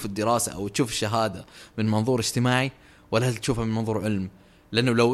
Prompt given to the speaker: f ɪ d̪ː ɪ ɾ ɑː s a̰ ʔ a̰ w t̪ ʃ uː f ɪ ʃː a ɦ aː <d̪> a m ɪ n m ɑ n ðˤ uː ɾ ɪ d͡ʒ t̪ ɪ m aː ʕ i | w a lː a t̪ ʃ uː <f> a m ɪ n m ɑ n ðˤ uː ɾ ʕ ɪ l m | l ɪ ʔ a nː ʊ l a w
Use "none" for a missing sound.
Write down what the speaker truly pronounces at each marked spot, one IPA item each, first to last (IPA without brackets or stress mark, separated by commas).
d̪, f